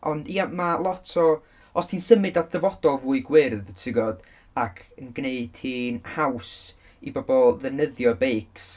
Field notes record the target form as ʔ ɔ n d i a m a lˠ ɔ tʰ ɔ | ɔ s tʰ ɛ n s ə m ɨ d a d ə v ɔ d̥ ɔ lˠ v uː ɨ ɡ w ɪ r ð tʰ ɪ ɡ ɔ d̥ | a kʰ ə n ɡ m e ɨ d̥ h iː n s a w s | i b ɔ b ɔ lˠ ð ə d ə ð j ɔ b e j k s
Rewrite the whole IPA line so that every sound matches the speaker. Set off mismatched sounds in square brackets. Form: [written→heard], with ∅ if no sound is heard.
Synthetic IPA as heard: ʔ ɔ n d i a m a lˠ ɔ tʰ ɔ | ɔ s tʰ [ɛ→i] n s ə m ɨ d a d ə v ɔ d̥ ɔ lˠ v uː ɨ ɡ w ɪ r ð tʰ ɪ ɡ ɔ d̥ | a kʰ ə n ɡ [m→n] e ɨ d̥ h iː n [s→h] a w s | i b ɔ b ɔ lˠ ð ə [d→n] ə ð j ɔ b e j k s